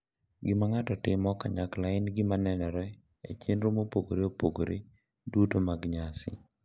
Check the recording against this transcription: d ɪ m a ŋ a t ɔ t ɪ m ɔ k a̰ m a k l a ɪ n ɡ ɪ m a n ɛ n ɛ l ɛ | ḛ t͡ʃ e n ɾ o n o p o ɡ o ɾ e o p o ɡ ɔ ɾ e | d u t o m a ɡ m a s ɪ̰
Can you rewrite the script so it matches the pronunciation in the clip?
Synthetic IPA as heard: ɡ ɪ m a ŋ a t ɔ t ɪ m ɔ k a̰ ɲ a k l a ɪ n ɡ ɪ m a n ɛ n ɛ ɾ ɛ | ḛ t͡ʃ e n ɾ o m o p o ɡ o ɾ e o p o ɡ o ɾ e | d u t o m a ɡ ɲ a s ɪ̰